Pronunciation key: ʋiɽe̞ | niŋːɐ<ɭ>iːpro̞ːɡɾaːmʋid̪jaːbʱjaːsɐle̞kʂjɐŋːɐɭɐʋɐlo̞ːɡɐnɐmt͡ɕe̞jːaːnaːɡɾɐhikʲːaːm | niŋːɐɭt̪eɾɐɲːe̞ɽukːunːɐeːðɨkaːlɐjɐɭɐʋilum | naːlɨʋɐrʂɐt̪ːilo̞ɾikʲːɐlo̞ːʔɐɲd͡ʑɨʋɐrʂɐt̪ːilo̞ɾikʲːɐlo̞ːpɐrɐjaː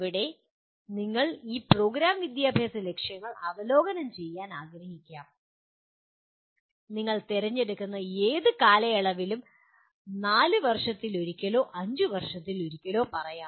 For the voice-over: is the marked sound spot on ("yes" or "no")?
yes